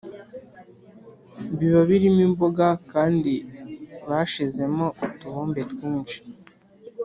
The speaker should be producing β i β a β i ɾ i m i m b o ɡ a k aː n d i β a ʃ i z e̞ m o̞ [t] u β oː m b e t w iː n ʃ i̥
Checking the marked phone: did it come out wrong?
no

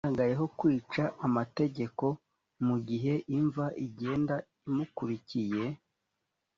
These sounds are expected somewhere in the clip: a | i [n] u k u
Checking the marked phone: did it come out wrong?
yes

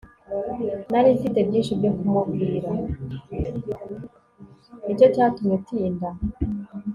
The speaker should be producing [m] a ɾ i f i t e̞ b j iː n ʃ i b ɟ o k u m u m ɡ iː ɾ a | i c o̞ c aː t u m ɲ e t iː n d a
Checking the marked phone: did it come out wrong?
yes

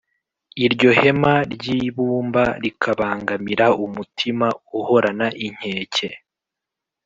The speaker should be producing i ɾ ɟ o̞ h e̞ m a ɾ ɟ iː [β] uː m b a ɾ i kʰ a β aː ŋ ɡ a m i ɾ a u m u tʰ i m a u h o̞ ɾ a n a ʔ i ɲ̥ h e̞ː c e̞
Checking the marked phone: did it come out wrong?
no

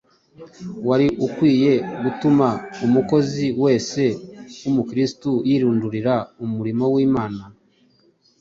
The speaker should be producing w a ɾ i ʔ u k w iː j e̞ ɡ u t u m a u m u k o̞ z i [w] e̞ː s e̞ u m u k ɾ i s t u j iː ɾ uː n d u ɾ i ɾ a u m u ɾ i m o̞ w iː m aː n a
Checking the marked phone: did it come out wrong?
no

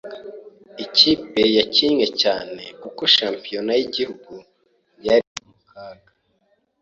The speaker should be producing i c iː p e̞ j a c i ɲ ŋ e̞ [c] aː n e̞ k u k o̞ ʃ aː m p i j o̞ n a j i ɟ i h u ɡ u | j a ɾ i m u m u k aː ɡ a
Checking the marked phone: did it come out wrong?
no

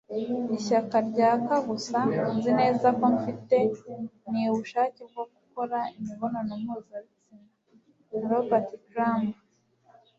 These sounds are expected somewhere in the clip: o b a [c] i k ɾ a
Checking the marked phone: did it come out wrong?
yes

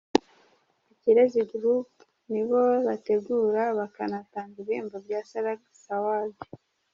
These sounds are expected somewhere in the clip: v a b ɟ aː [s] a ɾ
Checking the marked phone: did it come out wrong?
no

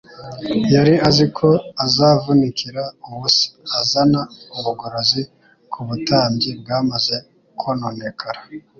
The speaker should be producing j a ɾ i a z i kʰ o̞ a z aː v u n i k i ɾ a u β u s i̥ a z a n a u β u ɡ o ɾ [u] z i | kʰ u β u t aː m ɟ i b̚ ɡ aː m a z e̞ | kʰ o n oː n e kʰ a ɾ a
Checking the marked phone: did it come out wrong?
yes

